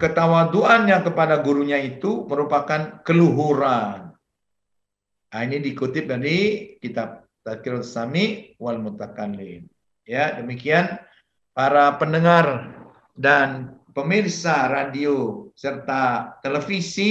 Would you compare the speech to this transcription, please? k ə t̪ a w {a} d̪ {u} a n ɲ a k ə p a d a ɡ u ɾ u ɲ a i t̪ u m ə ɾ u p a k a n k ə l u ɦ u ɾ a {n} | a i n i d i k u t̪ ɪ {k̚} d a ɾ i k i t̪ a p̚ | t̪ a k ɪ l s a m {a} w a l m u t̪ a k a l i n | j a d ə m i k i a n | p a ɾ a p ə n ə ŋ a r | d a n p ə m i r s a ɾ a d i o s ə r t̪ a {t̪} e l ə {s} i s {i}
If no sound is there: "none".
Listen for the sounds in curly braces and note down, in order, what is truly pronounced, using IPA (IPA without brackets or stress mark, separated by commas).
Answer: a, u, n, p̚, i, t̪, f, i